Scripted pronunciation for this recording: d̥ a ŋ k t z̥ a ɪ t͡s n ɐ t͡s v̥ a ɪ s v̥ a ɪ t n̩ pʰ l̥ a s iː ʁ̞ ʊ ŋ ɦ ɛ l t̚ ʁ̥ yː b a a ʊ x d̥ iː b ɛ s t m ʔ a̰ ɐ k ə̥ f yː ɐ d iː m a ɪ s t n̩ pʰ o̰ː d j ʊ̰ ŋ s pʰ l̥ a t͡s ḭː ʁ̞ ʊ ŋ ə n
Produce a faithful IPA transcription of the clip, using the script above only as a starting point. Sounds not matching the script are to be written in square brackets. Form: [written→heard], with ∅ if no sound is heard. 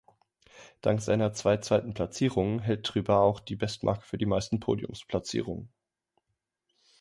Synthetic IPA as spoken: d̥ a ŋ k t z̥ a ɪ [t͡s→∅] n ɐ t͡s v̥ a ɪ [s→t͡s] v̥ a ɪ t n̩ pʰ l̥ a [s→t͡s] iː ʁ̞ ʊ ŋ ɦ ɛ l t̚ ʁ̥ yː b a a ʊ x d̥ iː b ɛ s t m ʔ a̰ ɐ k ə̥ f yː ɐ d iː m a ɪ s t n̩ pʰ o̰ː d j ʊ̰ [ŋ→m] s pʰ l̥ a t͡s ḭː ʁ̞ ʊ ŋ ə n